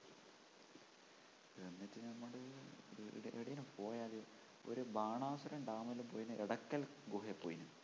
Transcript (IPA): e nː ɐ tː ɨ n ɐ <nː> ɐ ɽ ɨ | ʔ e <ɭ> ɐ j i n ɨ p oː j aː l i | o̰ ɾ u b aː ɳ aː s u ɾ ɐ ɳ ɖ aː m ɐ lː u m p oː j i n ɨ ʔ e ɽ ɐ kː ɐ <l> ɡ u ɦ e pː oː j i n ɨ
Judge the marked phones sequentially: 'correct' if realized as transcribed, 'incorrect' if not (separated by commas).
incorrect, incorrect, correct